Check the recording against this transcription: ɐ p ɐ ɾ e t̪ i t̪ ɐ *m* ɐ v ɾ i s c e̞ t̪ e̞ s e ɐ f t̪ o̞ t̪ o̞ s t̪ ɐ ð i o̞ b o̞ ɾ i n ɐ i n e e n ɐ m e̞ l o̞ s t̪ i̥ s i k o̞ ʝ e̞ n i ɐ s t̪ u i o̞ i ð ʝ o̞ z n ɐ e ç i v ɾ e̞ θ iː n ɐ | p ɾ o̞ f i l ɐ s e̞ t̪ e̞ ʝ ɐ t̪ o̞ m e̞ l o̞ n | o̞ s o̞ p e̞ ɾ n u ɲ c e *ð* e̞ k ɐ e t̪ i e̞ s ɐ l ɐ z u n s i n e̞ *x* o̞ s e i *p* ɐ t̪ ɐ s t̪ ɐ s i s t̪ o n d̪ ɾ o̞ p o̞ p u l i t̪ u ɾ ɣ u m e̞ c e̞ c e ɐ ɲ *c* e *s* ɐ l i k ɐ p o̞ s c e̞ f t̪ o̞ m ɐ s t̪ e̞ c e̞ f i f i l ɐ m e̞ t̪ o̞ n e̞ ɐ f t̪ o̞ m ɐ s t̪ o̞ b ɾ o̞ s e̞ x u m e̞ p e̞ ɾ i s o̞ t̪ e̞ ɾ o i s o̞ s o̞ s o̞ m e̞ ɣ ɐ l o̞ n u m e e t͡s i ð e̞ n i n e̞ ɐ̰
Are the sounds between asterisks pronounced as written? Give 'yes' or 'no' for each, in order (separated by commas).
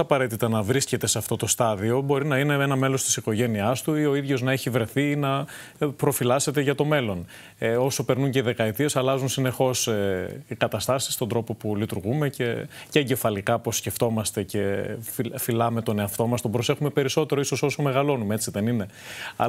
no, yes, yes, no, no, no